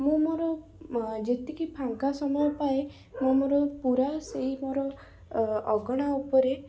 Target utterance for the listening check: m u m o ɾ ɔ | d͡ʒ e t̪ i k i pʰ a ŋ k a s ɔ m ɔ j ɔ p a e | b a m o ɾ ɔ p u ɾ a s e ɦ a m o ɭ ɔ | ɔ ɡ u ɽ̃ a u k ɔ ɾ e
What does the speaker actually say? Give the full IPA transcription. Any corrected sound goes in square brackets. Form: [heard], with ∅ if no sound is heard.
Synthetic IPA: m [ũ] m o ɾ ɔ | d͡ʒ e t̪ i k i pʰ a ŋ k a s ɔ m ɔ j ɔ p a e | [m] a m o ɾ ɔ p u ɾ a s e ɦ [i] m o [ɾ] ɔ | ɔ ɡ [ɔ] ɽ̃ a u [p] ɔ ɾ e